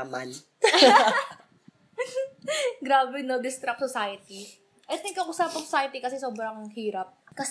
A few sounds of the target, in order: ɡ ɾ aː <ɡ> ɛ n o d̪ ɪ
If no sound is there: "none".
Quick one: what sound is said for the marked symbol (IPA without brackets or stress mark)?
b